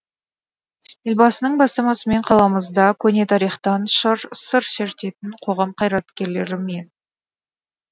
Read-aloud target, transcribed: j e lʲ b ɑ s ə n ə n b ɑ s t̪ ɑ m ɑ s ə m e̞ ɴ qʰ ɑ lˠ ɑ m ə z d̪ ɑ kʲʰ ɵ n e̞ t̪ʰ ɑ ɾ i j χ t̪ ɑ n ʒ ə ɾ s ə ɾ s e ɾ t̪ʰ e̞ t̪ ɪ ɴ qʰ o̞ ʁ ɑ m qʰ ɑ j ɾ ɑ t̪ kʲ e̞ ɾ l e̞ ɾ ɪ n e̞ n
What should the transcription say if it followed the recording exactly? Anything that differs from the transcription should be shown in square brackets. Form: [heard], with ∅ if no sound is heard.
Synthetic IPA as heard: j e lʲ b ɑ s ə n ə [ɴ] b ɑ s t̪ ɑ m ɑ s ə m e̞ ɴ qʰ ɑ lˠ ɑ m ə z d̪ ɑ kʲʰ ɵ n e̞ t̪ʰ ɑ ɾ i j χ t̪ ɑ n [ʃ] ə ɾ s ə ɾ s e ɾ [t̪] e̞ t̪ ɪ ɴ qʰ o̞ ʁ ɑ m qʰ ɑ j ɾ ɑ t̪ kʲ e̞ ɾ l e̞ ɾ ɪ [m] e̞ n